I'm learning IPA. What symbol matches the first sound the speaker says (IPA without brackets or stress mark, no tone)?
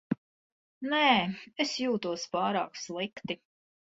n